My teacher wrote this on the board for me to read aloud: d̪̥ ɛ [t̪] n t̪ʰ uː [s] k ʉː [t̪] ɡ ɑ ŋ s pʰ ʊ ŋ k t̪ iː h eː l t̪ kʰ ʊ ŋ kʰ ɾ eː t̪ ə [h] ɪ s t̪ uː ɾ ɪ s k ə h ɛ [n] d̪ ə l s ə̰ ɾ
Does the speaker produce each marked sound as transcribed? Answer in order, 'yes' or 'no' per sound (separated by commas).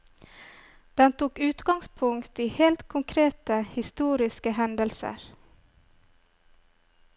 no, no, yes, yes, yes